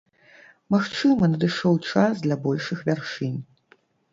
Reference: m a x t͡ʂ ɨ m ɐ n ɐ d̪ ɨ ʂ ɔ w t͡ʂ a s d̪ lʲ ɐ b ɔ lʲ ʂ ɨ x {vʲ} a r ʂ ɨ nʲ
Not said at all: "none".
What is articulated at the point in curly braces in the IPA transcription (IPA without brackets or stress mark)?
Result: vʲ